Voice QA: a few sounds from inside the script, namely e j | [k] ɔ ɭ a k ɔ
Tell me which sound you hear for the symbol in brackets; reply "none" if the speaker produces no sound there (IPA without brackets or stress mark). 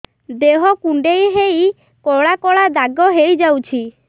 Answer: k